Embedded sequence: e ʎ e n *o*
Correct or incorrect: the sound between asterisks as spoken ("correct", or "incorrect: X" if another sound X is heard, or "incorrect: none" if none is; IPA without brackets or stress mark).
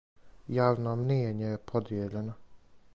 correct